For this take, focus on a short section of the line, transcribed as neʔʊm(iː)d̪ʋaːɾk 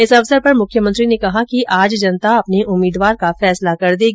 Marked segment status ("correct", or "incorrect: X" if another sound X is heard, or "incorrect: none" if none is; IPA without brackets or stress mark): correct